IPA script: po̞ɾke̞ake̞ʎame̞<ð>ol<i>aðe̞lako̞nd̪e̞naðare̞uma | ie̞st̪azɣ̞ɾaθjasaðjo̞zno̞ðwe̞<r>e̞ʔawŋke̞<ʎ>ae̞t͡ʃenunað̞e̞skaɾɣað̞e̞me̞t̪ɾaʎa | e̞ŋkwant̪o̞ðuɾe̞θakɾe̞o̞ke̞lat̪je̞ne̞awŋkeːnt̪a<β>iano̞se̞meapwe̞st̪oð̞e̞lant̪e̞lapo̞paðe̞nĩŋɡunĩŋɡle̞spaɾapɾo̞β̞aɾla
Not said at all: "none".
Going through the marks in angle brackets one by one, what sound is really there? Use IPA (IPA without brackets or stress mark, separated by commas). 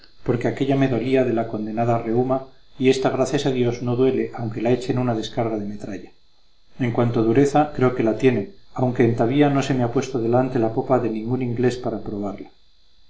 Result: ð, i, l, l, β